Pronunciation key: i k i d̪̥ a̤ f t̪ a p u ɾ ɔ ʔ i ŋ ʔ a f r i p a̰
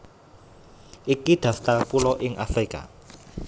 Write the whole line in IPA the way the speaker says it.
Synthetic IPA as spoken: i k i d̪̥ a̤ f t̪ a p u l ɔ ʔ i ŋ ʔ a f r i k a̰